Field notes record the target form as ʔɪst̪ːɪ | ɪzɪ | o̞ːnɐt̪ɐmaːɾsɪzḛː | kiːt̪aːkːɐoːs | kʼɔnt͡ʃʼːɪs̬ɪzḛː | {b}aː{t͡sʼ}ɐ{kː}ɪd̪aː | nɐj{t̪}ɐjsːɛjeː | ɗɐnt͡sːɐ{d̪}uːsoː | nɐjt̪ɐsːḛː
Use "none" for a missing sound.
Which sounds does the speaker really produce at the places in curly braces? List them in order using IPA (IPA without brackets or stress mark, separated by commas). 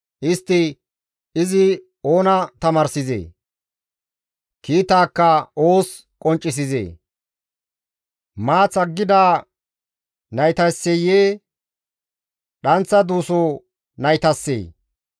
m, t͡s, ɡː, t̪, d̪